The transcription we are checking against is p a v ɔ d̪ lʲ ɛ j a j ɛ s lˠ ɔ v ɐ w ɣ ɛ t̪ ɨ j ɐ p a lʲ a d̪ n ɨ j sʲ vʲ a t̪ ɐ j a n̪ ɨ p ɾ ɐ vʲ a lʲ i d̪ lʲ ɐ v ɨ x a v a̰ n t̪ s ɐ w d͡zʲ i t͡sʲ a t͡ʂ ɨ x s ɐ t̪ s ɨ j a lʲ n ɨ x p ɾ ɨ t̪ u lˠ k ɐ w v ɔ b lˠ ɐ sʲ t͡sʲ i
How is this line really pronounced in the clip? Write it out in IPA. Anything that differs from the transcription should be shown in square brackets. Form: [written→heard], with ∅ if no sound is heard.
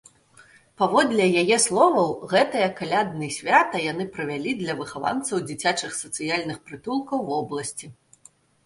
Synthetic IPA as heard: p a v ɔ d̪ lʲ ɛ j a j ɛ s lˠ ɔ v ɐ w ɣ ɛ t̪ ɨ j ɐ [p→k] a lʲ a d̪ n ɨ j sʲ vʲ a t̪ ɐ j a n̪ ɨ p ɾ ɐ vʲ a lʲ i d̪ lʲ ɐ v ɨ x a v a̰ n t̪ s ɐ w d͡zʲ i t͡sʲ a t͡ʂ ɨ x s ɐ t̪ s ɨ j a lʲ n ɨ x p ɾ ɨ t̪ u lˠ k ɐ w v ɔ b lˠ ɐ sʲ t͡sʲ i